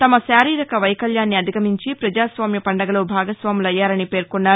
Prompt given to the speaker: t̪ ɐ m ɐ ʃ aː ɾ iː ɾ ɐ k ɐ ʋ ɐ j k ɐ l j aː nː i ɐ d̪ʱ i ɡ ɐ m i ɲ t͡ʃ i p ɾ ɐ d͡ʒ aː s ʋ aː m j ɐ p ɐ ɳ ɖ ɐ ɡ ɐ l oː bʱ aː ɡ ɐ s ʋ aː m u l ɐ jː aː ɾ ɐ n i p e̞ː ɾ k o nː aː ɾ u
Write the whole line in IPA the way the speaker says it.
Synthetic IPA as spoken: t̪ ɐ m ɐ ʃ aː ɾ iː ɾ ɐ k ɐ ʋ ɐ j k ɐ l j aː nː i ɐ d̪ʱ i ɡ ɐ m i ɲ t͡ʃ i p ɾ ɐ d͡ʒ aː s ʋ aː m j ɐ p ɐ ɳ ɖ ɐ ɡ ɐ l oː bʱ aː ɡ ɐ s ʋ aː m u l ɐ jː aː ɾ ɐ n i p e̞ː ɾ k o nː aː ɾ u